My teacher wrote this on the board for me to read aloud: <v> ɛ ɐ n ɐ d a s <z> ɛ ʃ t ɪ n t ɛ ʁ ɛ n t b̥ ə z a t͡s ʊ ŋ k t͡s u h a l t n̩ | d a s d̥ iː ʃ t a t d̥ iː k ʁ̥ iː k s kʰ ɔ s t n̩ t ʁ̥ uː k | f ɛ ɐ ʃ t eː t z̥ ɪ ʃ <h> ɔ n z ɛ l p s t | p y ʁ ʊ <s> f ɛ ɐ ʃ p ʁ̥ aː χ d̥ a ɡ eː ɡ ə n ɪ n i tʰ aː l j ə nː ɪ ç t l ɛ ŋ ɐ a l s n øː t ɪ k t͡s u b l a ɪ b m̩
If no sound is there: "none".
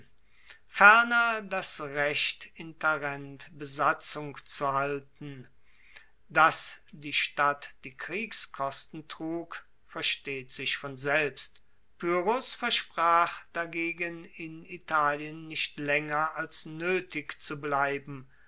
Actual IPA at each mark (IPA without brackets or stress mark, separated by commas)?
f, ʁ, f, s